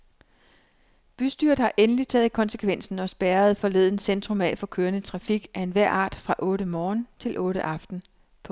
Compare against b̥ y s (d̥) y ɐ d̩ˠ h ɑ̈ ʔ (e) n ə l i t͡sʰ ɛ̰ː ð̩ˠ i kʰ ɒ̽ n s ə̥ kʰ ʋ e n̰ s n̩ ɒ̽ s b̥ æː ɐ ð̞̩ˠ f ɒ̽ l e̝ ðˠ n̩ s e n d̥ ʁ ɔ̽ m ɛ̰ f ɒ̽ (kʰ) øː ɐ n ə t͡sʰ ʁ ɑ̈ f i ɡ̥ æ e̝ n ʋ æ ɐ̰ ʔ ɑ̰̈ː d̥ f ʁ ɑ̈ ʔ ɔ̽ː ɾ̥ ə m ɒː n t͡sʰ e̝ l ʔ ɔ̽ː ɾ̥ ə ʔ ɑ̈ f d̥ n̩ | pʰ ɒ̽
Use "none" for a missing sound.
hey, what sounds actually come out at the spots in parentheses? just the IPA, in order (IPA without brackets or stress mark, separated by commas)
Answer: d̥, e, kʰ